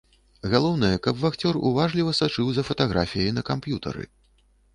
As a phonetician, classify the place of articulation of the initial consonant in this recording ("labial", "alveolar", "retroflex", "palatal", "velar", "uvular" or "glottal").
velar